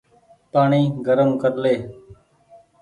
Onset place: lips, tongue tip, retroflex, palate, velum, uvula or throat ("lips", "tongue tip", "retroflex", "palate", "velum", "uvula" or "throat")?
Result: lips